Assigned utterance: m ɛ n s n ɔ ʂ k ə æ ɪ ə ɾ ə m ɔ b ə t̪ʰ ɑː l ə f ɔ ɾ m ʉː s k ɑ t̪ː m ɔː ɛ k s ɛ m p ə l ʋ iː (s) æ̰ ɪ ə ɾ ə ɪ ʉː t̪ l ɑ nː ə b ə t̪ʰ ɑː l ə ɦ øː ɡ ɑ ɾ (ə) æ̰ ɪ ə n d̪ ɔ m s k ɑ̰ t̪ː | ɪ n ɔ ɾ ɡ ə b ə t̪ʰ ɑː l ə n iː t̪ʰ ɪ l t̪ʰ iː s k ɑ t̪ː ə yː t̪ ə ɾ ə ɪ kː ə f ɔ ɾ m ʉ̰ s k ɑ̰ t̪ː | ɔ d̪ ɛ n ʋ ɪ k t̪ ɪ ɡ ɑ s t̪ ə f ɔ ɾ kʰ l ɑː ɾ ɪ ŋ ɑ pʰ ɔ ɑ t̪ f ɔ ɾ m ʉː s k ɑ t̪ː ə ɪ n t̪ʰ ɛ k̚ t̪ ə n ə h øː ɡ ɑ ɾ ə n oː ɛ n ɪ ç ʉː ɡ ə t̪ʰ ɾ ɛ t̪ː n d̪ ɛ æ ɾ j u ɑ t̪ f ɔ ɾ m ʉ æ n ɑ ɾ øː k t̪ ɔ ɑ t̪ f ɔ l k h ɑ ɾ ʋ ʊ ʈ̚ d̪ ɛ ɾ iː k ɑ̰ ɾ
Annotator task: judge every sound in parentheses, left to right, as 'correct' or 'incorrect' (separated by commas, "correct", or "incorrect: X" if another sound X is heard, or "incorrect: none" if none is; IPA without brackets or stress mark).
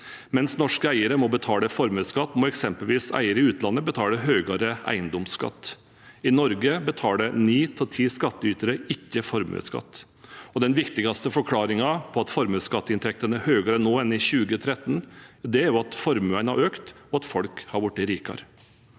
correct, correct